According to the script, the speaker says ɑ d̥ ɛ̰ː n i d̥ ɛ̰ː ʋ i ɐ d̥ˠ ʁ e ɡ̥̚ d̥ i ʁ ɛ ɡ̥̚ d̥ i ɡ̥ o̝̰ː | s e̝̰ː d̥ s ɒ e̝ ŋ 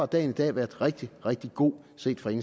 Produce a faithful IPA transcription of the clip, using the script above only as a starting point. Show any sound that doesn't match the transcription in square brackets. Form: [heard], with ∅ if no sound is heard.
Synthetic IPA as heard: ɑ d̥ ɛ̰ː n i d̥ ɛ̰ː ʋ [æ] ɐ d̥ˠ ʁ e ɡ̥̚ d̥ i ʁ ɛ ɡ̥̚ d̥ i ɡ̥ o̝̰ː | s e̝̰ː d̥ [f] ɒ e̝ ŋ